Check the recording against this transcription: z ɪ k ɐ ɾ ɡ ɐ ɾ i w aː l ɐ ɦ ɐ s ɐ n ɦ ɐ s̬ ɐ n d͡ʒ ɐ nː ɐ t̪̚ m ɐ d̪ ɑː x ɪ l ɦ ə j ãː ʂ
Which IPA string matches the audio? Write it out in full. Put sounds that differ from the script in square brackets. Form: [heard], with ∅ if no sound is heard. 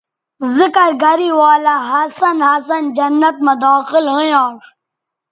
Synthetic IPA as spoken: z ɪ k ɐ ɾ ɡ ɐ ɾ i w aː l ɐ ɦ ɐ s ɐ n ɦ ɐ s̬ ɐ n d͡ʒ ɐ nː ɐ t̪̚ m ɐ d̪ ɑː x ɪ l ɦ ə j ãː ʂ